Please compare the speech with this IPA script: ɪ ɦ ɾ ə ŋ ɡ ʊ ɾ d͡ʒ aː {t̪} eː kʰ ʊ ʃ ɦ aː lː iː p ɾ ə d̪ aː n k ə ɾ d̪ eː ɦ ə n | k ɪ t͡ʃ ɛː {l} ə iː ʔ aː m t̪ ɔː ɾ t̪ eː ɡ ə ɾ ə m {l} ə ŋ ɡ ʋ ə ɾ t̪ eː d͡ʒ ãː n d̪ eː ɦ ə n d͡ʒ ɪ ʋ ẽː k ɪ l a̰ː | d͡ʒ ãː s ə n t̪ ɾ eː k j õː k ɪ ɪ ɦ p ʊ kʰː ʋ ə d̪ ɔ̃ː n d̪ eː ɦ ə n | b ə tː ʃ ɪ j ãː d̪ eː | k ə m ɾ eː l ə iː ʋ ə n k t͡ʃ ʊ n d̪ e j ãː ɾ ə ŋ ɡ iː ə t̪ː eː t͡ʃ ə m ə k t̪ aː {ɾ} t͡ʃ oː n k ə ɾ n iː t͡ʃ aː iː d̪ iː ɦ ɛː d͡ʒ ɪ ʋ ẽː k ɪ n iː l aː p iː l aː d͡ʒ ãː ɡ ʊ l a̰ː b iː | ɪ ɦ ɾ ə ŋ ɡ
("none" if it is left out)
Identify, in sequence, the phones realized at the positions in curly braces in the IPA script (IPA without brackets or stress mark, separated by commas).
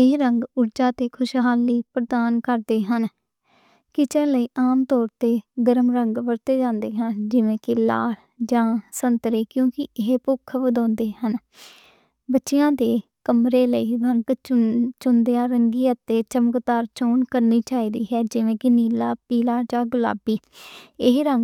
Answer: t̪, l, ɾ, ɾ